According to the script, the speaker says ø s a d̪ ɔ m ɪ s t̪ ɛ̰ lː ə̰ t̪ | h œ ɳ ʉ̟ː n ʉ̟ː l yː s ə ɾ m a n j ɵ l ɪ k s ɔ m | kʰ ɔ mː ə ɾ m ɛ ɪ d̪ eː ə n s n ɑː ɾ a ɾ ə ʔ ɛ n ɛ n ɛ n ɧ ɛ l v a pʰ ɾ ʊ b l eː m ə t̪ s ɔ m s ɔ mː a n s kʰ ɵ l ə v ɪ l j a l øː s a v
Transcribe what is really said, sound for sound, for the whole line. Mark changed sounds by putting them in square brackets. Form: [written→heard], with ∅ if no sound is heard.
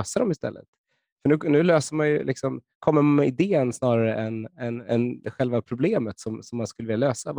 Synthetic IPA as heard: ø s a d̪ ɔ m ɪ s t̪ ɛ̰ lː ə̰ t̪ | [h→f] œ ɳ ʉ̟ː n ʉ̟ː l [yː→øː] s ə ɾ m a n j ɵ l ɪ k s ɔ m | kʰ ɔ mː ə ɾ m ɛ ɪ d̪ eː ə n s n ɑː ɾ a ɾ ə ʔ ɛ n ɛ n ɛ n ɧ ɛ l v a pʰ ɾ ʊ b l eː m ə t̪ s ɔ m s ɔ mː a n s [kʰ→k] ɵ l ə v ɪ l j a l øː s a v